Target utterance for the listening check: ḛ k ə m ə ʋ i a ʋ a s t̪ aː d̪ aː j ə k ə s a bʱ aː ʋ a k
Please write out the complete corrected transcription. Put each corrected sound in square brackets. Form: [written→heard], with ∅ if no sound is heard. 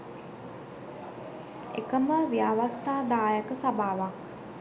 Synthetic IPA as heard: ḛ k ə m ə ʋ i a ʋ a s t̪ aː d̪ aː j ə k ə s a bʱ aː ʋ a k